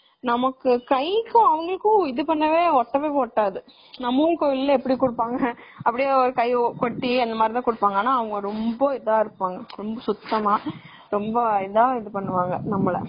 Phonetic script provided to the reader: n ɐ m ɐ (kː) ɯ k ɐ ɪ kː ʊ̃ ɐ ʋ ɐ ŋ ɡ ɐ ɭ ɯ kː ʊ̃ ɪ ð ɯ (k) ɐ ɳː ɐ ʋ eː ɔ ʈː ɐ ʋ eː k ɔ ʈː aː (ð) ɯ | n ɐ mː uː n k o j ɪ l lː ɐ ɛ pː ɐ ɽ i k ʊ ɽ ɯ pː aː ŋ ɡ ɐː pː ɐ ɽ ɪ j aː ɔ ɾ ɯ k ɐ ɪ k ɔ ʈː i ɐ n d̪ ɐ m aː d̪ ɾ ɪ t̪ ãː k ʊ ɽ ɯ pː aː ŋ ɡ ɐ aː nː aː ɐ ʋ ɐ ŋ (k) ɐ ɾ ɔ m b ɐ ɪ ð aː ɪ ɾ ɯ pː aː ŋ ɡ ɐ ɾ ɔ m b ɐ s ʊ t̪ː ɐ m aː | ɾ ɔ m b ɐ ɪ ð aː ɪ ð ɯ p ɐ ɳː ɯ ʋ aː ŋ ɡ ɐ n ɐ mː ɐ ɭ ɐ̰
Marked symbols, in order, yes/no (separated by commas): yes, no, yes, no